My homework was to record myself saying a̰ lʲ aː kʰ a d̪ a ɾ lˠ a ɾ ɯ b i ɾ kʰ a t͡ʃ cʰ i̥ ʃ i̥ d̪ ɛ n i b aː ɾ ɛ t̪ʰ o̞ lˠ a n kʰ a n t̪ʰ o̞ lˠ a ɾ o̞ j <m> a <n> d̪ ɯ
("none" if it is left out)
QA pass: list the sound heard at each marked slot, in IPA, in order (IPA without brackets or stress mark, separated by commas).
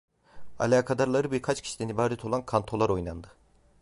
n, n